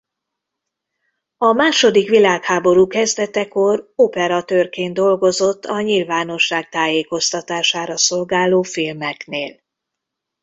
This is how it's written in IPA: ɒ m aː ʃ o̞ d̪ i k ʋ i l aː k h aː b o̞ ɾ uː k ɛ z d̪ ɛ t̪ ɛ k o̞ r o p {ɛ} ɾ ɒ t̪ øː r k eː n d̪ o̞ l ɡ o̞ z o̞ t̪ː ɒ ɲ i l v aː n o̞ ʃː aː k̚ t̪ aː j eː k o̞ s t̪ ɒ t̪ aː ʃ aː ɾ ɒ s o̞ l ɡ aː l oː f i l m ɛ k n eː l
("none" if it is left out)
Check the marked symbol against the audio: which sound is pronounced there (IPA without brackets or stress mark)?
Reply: ɛ